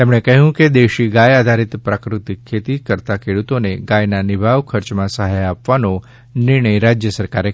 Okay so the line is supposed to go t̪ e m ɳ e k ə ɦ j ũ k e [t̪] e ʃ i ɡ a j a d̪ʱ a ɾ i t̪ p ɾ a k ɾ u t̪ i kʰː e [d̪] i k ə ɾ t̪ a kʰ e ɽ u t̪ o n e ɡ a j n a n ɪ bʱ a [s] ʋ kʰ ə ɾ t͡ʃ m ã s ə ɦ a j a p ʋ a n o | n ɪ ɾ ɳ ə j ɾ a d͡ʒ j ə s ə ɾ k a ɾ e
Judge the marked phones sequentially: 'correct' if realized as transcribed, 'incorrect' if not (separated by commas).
incorrect, incorrect, incorrect